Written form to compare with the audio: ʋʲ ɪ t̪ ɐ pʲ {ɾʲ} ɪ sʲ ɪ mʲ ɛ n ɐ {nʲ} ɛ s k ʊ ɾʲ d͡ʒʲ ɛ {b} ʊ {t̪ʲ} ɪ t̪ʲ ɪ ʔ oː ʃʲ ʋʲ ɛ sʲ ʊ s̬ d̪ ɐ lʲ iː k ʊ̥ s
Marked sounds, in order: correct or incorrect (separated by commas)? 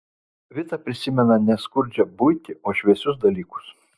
correct, correct, correct, incorrect